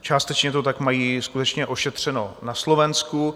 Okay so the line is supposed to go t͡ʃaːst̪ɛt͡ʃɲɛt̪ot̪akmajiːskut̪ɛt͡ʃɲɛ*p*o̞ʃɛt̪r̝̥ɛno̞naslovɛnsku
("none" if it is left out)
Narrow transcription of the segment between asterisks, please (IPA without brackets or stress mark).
ʔ